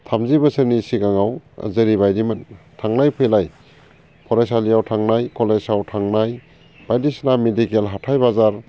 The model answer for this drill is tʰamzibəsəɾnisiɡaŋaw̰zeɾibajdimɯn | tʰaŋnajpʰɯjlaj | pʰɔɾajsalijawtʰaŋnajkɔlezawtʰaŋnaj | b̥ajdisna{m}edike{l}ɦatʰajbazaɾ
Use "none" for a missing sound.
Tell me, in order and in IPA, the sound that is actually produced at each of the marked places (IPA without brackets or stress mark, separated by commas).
m, l